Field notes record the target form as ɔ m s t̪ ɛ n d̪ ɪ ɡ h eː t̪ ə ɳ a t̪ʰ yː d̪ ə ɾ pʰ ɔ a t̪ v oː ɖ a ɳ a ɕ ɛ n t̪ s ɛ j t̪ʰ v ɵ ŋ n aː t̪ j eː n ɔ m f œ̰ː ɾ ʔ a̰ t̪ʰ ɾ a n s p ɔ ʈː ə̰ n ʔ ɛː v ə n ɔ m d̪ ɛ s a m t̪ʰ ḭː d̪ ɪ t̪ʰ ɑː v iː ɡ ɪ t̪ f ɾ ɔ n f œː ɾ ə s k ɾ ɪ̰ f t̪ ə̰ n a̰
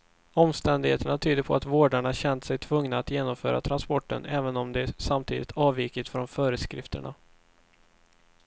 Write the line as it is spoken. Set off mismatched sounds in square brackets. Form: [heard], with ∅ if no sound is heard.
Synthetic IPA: ɔ m s t̪ ɛ n d̪ ɪ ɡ h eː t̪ ə ɳ a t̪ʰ yː d̪ ə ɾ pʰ ɔ a t̪ v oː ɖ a ɳ a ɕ ɛ n t̪ s ɛ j t̪ʰ v ɵ ŋ n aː t̪ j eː n ɔ m f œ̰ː ɾ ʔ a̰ t̪ʰ ɾ a n s p ɔ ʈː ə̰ n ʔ ɛː v ə n ɔ m d̪ ɛ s a m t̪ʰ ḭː d̪ ɪ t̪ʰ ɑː v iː [k] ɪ t̪ f ɾ ɔ n f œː ɾ ə s k ɾ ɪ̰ f t̪ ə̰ [ɳ] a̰